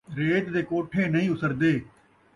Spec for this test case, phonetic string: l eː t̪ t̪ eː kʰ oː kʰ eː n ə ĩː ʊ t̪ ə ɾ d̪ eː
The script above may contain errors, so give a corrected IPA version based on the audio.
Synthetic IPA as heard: ɾ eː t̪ d̪ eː k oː ʈʰ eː n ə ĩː ʊ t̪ ə ɾ d̪ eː